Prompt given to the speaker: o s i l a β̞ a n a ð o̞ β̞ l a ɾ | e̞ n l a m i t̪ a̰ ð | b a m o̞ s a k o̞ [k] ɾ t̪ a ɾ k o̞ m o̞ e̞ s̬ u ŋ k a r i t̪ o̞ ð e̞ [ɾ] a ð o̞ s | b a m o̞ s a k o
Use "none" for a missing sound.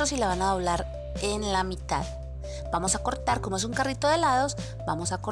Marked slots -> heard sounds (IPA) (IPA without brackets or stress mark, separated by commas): none, l